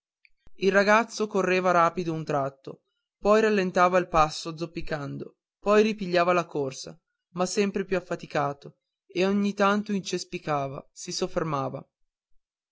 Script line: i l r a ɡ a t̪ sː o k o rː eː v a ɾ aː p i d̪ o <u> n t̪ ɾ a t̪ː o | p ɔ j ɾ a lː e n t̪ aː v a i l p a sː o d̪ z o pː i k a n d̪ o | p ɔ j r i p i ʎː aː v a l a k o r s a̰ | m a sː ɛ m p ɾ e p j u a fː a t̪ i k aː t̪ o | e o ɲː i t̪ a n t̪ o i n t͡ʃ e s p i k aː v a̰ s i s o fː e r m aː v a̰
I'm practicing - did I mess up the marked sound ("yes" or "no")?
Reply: no